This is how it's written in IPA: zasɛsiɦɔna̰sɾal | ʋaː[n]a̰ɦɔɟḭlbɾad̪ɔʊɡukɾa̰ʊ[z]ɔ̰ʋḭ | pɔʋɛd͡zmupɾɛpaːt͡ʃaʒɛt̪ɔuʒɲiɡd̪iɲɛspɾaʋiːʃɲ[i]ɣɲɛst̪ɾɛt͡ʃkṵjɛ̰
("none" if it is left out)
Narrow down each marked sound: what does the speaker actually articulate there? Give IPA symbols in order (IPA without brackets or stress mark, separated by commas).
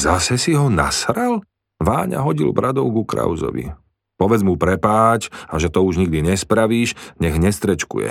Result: ɲ, z, ɛ